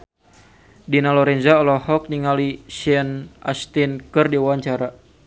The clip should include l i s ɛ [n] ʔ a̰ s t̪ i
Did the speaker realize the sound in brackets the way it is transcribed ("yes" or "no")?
yes